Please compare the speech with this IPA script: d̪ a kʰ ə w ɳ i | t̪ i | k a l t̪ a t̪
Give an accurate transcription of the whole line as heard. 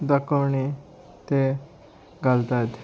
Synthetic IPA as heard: d̪ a k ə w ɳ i | t̪ e | ɡ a l t̪ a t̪